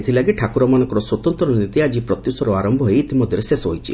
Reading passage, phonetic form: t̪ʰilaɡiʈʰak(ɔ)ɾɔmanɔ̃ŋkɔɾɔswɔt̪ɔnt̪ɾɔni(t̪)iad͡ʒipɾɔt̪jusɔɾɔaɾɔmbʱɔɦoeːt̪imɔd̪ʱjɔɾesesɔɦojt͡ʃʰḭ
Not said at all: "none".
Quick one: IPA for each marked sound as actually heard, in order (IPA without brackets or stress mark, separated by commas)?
u, t̪